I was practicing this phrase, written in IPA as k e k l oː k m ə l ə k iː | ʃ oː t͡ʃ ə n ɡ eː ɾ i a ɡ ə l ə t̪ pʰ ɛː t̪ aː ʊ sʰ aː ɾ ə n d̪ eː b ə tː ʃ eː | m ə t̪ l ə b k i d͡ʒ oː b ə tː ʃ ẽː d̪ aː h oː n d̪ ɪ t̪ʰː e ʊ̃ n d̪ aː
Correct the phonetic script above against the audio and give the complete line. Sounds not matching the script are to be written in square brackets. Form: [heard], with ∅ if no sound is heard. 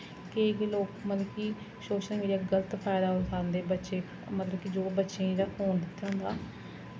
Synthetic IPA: k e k l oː k m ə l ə k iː | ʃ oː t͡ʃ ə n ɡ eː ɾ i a ɡ ə l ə t̪ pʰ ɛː [d̪] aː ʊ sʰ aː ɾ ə n d̪ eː b ə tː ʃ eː | m ə t̪ l ə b k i d͡ʒ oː b ə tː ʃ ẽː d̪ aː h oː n d̪ ɪ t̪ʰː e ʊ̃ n d̪ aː